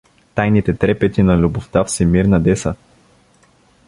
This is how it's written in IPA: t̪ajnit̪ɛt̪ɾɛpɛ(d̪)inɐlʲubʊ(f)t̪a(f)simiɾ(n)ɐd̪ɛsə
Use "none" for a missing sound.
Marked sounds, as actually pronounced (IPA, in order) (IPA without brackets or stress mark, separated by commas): t̪, f, f, n